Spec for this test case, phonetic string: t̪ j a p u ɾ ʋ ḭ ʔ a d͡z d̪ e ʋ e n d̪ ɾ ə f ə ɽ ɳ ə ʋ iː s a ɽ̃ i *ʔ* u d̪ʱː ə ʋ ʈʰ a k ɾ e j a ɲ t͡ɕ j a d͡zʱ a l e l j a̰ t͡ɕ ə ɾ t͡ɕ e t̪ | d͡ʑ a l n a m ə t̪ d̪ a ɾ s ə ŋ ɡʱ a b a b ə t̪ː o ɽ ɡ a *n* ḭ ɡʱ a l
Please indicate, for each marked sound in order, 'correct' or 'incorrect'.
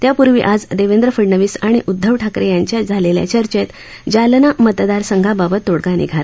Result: correct, correct

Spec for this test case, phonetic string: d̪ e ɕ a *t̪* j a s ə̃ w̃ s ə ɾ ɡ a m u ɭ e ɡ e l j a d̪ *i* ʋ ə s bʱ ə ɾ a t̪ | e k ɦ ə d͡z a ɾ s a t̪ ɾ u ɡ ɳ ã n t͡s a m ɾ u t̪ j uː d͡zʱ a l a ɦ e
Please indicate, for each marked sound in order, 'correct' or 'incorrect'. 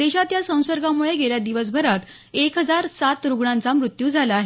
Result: correct, correct

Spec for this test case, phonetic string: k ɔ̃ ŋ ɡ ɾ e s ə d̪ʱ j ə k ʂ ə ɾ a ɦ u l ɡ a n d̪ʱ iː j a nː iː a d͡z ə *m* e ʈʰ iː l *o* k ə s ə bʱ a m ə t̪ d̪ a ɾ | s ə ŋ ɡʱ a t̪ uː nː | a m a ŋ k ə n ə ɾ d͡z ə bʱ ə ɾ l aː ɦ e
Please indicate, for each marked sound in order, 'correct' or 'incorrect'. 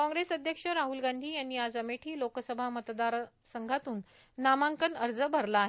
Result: correct, correct

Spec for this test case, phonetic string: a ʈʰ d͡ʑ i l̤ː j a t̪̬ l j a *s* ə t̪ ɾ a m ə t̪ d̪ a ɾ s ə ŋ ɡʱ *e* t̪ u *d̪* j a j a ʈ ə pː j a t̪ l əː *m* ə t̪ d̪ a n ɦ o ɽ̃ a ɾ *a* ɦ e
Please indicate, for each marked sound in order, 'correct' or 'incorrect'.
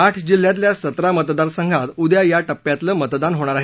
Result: correct, incorrect, correct, correct, correct

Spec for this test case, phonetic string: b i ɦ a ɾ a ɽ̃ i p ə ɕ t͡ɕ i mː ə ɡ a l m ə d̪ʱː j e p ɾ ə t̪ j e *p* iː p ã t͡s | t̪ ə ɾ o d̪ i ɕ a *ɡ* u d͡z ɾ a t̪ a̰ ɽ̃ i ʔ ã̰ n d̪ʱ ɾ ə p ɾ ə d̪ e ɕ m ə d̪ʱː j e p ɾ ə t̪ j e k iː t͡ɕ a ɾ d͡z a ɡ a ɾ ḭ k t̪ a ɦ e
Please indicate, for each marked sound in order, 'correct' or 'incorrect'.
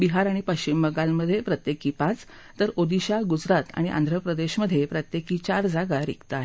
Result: incorrect, correct

